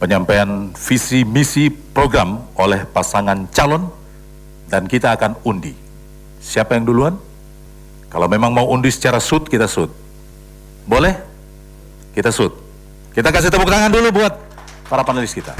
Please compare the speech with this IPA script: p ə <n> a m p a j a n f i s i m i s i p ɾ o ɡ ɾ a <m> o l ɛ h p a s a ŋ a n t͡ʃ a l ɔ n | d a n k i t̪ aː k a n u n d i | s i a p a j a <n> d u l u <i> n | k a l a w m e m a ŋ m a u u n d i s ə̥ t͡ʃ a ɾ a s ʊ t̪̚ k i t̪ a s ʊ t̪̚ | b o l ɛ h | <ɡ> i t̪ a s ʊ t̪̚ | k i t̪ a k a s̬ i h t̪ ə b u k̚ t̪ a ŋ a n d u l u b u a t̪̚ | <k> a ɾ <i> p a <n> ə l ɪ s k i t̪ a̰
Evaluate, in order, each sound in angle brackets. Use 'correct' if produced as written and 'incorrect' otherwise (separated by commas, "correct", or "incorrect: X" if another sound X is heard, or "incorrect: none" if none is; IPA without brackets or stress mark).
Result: incorrect: ɲ, correct, incorrect: ŋ, incorrect: a, incorrect: k, incorrect: p, incorrect: a, correct